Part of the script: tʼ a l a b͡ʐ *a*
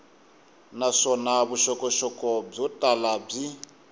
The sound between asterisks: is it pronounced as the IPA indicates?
no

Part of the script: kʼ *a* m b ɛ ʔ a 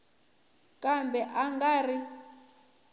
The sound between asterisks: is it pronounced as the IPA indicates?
yes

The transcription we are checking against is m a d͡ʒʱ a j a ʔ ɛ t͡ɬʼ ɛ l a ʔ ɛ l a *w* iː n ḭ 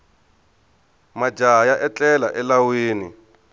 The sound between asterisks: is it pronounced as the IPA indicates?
yes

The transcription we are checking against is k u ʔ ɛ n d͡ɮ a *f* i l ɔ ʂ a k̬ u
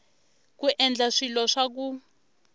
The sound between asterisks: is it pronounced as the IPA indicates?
no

